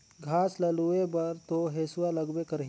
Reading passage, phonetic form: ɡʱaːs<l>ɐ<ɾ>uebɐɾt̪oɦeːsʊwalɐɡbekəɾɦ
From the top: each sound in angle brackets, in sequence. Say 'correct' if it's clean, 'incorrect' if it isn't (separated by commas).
correct, incorrect